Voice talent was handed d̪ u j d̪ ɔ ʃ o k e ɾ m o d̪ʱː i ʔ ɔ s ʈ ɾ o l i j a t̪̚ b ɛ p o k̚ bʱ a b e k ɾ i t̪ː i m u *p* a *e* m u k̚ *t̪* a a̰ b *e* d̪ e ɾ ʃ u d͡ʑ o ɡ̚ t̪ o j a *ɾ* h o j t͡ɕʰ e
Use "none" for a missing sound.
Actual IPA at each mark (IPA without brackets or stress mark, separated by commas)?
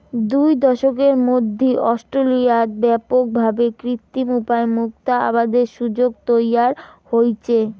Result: p, e, t̪, a, ɾ